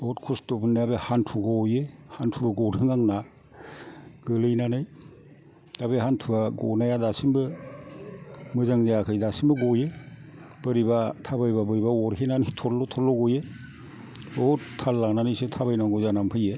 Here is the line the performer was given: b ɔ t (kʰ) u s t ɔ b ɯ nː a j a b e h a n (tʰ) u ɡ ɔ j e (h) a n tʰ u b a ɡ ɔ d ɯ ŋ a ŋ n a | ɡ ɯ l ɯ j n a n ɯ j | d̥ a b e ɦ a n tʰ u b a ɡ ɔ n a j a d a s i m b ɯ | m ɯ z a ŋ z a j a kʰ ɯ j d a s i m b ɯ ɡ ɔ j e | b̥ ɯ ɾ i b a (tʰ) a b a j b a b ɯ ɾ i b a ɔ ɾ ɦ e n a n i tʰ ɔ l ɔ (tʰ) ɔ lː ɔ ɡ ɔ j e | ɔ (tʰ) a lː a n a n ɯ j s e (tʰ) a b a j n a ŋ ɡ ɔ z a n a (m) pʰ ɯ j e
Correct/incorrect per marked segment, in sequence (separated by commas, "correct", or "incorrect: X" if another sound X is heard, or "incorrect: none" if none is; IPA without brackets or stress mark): correct, correct, correct, correct, correct, correct, correct, correct